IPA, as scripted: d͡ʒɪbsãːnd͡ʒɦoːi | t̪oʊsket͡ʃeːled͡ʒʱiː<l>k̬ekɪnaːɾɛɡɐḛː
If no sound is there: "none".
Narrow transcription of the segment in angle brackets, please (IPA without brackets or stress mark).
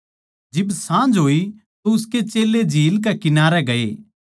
l